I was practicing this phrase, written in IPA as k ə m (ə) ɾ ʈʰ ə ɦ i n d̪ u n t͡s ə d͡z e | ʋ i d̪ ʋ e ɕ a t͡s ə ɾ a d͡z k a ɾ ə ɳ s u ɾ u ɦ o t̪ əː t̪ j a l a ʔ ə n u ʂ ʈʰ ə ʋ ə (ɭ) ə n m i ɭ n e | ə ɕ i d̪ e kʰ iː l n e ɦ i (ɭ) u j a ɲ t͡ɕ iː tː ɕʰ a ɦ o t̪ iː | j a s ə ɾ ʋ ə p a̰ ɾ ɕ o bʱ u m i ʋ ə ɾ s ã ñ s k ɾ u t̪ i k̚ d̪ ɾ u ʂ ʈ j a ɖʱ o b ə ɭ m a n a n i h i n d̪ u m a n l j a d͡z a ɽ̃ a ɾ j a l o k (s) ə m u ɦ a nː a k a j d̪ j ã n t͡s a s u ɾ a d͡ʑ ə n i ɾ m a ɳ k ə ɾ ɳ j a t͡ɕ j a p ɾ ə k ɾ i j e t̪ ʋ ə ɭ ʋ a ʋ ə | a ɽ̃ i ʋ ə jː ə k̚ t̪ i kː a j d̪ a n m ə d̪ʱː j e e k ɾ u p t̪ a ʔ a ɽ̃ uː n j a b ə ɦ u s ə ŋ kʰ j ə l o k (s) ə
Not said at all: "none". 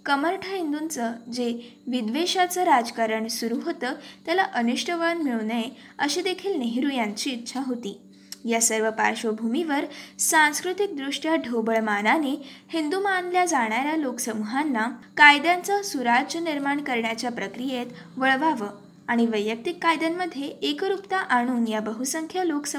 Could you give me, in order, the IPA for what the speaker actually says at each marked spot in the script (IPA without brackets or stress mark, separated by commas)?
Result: ə, ɭ, ɾ, s, s